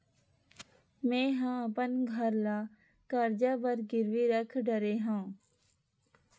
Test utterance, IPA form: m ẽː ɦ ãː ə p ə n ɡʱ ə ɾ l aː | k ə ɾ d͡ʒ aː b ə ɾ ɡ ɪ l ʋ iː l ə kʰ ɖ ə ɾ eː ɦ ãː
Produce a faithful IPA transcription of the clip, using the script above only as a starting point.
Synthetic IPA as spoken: m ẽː ɦ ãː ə p ə n ɡʱ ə ɾ l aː | k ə ɾ d͡ʒ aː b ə ɾ ɡ ɪ ɾ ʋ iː ɾ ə kʰ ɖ ə ɾ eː ɦ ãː